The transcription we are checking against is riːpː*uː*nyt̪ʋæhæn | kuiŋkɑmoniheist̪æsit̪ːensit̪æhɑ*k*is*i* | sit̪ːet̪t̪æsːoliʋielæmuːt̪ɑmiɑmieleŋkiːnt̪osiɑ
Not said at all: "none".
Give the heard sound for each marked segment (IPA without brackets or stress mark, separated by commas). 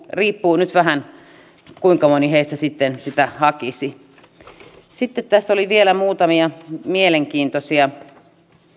uː, k, i